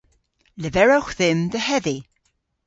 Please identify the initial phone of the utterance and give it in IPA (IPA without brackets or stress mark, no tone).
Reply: l